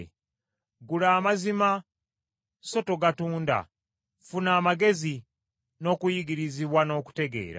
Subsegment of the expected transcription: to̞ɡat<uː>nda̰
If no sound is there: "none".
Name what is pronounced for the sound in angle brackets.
uː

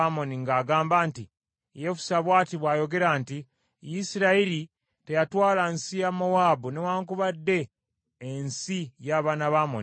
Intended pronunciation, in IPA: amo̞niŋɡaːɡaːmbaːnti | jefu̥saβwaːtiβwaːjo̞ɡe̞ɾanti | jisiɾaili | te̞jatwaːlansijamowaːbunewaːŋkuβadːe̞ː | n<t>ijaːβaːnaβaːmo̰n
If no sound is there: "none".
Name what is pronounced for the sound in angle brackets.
s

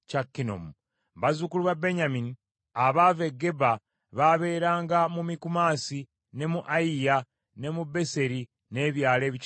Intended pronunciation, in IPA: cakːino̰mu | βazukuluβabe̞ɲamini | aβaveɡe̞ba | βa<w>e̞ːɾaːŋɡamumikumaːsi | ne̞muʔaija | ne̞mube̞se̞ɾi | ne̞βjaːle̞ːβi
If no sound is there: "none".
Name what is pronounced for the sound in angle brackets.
β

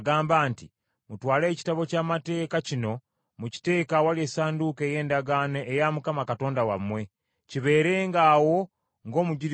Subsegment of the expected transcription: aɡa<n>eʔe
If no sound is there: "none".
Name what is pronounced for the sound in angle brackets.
n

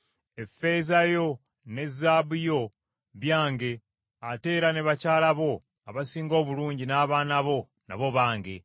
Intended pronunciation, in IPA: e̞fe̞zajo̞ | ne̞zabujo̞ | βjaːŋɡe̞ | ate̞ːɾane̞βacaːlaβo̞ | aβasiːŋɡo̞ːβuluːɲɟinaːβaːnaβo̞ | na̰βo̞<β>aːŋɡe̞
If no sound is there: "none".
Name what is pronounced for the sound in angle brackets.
β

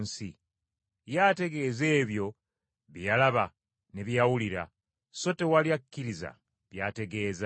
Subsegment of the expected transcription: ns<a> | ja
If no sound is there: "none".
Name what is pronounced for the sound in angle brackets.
i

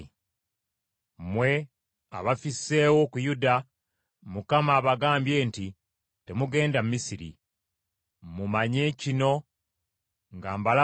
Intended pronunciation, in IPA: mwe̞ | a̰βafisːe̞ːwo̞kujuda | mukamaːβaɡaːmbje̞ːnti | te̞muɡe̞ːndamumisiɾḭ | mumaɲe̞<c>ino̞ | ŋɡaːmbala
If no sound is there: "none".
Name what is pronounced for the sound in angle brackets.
c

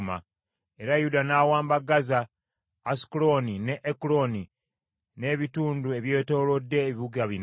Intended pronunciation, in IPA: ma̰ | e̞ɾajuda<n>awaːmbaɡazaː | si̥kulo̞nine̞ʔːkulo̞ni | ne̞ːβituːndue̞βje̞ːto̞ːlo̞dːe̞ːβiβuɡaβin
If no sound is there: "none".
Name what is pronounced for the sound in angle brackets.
n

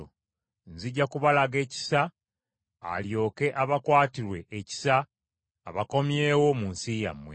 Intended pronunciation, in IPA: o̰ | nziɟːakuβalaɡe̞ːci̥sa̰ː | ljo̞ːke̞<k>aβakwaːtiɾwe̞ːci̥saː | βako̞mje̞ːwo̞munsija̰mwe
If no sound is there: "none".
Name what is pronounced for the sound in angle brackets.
ʔ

